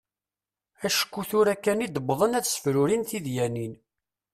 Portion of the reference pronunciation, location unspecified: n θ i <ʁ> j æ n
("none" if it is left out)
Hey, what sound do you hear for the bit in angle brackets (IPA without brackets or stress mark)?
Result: ð